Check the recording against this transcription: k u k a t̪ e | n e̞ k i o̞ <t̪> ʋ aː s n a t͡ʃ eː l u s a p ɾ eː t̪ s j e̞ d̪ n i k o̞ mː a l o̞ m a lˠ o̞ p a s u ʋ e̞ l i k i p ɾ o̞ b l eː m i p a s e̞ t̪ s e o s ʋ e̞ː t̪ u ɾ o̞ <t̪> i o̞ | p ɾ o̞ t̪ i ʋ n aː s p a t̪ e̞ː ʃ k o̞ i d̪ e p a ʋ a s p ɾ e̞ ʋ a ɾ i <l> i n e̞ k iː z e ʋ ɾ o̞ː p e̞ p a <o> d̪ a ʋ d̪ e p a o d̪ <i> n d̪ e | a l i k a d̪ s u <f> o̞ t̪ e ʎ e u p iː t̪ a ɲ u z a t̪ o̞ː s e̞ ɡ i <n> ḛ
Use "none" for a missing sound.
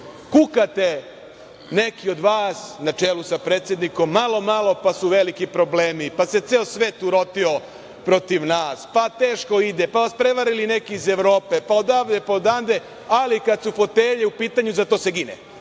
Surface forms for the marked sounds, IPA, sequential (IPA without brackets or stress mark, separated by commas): d̪, t̪, l, o, a, f, n